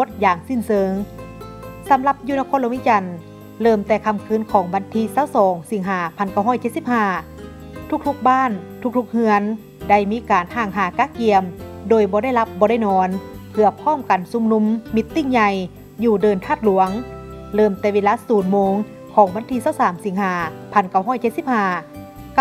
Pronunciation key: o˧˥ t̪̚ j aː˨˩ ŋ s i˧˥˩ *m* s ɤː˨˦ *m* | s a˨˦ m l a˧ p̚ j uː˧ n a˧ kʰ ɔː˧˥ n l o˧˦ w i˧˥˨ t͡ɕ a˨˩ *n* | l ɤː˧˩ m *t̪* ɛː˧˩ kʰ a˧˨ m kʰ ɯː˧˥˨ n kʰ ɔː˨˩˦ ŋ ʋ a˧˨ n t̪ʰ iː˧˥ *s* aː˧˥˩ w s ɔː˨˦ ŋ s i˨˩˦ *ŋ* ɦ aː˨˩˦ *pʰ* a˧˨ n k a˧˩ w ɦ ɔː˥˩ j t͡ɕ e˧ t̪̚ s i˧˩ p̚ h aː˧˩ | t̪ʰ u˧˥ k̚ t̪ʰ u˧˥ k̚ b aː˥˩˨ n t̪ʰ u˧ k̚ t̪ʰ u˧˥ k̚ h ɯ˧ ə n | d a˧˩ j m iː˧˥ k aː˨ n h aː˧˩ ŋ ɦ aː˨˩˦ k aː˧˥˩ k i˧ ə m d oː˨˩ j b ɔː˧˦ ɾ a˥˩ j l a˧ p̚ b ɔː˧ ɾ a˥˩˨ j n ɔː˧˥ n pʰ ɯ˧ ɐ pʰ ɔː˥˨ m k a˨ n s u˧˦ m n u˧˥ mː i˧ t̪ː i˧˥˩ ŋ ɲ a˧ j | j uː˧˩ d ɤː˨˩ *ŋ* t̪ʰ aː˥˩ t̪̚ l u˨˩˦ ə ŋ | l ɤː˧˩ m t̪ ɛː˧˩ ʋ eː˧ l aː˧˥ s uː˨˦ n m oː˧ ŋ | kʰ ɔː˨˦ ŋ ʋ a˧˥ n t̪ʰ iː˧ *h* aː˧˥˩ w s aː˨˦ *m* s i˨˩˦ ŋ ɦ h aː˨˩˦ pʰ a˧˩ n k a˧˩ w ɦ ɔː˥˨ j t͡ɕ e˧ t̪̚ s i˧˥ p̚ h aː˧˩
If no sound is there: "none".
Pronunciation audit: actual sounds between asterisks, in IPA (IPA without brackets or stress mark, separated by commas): n, ŋ, n, t̪, s, ŋ, pʰ, n, s, m